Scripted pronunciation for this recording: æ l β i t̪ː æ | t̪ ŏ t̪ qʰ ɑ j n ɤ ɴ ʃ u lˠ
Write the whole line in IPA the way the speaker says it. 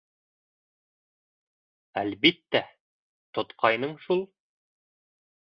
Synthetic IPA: æ l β i t̪ː æ | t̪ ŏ t̪ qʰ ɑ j n ɤ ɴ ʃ u lˠ

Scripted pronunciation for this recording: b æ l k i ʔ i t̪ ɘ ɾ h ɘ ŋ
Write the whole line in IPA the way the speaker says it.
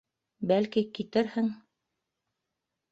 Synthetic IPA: b æ l k i k i t̪ ɘ ɾ h ɘ ŋ

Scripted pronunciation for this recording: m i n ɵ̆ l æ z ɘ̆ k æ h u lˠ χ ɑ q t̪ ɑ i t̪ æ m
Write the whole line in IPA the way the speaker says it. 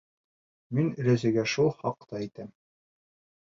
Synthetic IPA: m i n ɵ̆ ɾ æ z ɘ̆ ɡ æ ʃ u lˠ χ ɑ q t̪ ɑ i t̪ æ m

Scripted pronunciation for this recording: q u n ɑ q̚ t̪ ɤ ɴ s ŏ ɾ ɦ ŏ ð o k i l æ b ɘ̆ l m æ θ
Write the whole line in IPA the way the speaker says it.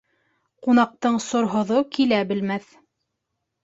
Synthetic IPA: q u n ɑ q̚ t̪ ɤ ɴ s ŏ ɾ ɦ ŏ ð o k i l æ b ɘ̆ l m æ θ

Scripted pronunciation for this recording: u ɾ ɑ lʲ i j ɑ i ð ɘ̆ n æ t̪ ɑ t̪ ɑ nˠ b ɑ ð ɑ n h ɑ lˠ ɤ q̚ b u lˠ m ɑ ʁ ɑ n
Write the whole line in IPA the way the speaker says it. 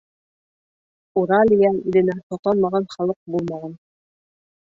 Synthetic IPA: u ɾ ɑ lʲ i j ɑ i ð ɘ̆ n æ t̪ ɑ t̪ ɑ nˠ m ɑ ʁ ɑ n χ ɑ lˠ ɤ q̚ b u lˠ m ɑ ʁ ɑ n

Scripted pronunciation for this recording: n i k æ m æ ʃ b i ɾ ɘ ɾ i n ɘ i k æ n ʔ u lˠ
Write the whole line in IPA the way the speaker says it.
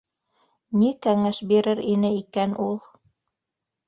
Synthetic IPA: n i k æ ŋ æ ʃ b i ɾ ɘ ɾ i n ɘ i k æ n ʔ u lˠ

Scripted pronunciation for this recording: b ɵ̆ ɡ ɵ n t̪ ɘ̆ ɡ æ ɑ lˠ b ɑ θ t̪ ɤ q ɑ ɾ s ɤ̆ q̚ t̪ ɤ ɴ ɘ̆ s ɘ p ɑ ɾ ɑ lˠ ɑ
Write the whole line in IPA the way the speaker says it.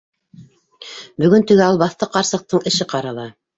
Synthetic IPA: b ɵ̆ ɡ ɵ n t̪ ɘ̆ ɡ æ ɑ lˠ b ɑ θ t̪ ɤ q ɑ ɾ s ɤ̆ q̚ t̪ ɤ ɴ ɘ̆ ʃ ɘ q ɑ ɾ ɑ lˠ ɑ

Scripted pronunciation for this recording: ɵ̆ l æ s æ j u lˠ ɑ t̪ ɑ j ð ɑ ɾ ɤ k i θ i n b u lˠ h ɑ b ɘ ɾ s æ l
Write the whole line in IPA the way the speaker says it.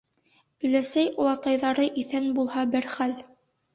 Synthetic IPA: ɵ̆ l æ s æ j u lˠ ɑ t̪ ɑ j ð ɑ ɾ ɤ ʔ i θ æ n b u lˠ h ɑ b ɘ ɾ χ æ l

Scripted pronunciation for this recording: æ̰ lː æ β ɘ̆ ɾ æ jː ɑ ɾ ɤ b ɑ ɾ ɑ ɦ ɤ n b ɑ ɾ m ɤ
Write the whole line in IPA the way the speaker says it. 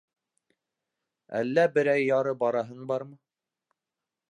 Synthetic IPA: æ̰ lː æ b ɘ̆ ɾ æ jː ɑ ɾ ɤ b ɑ ɾ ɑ ɦ ɤ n b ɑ ɾ m ɤ

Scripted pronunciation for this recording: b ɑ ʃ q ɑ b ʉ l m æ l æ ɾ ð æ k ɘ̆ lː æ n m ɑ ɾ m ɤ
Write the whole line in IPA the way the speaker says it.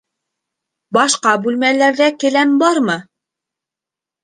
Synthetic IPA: b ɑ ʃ q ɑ b ʉ l m æ l æ ɾ ð æ k ɘ̆ l æ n b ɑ ɾ m ɤ

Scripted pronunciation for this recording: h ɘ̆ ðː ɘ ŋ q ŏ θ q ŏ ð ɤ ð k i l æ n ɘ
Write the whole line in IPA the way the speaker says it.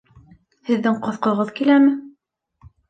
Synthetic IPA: h ɘ̆ ðː ɘ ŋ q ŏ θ q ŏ ʁ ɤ ð k i l æ m ɘ

